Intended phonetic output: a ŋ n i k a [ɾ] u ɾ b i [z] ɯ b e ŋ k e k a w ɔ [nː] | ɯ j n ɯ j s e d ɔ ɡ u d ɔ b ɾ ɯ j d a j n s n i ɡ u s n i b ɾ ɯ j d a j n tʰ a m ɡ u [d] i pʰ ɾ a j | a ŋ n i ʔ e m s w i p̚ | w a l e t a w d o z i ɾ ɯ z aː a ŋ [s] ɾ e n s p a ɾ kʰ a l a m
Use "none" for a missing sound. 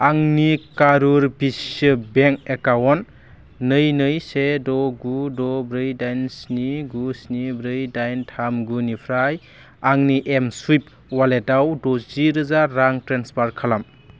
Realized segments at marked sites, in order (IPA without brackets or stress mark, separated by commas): ɾ, s, nː, n, t